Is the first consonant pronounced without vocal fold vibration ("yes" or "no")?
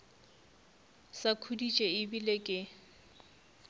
yes